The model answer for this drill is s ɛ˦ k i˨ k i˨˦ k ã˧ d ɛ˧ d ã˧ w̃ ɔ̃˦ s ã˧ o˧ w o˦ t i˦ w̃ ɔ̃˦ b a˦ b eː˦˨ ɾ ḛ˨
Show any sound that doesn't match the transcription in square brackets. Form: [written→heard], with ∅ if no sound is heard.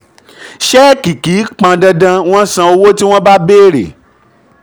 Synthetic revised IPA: [s→ʃ] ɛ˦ k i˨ k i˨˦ [k→k͡p] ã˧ d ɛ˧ d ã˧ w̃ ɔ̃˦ s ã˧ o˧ w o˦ t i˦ w̃ ɔ̃˦ b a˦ b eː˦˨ ɾ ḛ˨